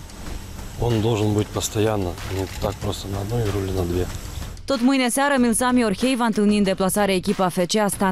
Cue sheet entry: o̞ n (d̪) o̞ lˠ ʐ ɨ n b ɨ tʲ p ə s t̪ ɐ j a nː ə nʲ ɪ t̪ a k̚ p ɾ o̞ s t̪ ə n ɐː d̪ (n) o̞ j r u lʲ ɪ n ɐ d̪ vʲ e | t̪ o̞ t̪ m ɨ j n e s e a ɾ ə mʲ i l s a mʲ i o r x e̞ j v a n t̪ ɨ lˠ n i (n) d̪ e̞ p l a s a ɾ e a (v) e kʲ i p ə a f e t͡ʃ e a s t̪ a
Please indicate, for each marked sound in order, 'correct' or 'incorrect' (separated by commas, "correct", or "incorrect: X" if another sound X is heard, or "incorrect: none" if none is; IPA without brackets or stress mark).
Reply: correct, correct, correct, incorrect: none